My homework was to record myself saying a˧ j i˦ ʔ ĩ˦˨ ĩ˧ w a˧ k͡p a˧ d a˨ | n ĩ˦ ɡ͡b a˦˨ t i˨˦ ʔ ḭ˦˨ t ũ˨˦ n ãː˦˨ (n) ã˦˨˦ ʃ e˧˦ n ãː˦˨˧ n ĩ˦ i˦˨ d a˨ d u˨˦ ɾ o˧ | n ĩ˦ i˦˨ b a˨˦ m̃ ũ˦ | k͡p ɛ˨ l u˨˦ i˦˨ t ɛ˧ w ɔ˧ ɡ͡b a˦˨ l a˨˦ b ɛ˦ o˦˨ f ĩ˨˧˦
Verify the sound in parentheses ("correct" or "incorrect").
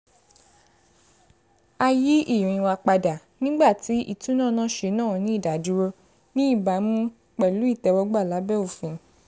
correct